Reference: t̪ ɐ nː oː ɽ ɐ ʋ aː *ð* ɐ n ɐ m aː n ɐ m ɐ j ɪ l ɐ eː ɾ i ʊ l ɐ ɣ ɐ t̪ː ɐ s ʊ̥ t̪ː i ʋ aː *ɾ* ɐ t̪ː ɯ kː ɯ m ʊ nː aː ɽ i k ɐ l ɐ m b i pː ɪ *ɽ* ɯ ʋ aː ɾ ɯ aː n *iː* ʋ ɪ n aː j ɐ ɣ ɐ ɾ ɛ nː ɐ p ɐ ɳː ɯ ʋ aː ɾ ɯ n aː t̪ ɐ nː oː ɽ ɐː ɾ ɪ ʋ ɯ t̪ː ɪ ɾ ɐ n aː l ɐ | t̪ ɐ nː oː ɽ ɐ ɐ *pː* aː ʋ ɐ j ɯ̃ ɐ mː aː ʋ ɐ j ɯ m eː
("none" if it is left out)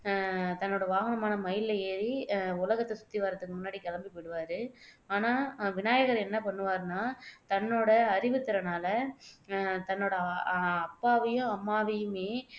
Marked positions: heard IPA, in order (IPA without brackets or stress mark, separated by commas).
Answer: ɣ, ɾ, ɽ, aː, pː